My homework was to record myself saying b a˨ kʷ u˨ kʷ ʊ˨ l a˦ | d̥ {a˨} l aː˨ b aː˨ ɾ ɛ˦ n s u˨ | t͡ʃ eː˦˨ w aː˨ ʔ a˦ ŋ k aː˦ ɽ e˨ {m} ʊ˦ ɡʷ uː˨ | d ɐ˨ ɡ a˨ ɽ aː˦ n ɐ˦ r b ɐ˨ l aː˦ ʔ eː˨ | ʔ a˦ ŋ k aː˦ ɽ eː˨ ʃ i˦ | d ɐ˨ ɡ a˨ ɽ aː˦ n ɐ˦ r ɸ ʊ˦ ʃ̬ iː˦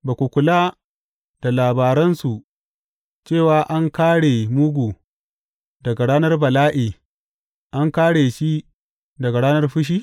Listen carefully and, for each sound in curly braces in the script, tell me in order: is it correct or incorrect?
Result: correct, correct

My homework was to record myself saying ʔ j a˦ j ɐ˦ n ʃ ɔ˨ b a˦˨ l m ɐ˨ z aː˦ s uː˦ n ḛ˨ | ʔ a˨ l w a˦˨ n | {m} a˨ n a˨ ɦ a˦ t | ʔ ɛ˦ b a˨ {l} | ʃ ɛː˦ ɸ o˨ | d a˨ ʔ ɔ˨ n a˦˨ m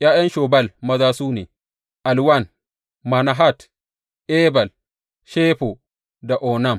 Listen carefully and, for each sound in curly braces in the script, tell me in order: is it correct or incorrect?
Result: correct, correct

